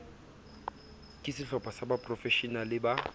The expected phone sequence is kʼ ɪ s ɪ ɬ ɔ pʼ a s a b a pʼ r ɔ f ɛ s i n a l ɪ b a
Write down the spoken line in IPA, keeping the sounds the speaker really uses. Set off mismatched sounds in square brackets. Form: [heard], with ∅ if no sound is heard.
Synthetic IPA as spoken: kʼ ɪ s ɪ ɬ ɔ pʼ a s a b a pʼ r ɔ f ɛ [ʃ] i n a l ɪ b a